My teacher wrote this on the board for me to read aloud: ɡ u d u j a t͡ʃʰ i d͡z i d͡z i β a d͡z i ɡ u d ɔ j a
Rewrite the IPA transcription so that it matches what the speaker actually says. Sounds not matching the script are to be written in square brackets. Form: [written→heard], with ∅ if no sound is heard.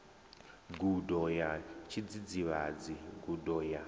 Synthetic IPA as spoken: ɡ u d [u→ɔ] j a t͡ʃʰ i d͡z i d͡z i β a d͡z i ɡ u d ɔ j a